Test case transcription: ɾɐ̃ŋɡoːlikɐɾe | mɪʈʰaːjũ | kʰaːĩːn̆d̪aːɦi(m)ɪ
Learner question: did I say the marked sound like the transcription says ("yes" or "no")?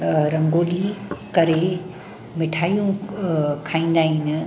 no